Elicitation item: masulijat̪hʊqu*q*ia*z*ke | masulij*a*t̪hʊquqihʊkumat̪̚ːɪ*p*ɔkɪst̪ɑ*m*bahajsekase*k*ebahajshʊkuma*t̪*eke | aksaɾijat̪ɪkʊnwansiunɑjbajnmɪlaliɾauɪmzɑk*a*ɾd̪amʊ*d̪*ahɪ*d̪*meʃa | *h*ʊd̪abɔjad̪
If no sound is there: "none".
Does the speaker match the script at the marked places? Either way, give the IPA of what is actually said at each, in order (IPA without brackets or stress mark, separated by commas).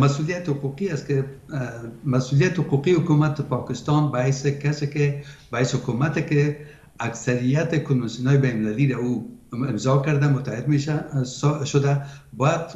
q, s, a, p, n, k, t̪, a, t̪, d̪, ʃ